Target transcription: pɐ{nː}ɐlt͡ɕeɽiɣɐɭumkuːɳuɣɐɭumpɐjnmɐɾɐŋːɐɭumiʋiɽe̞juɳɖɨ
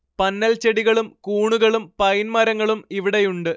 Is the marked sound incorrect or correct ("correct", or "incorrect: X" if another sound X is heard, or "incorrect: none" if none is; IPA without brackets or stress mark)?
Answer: correct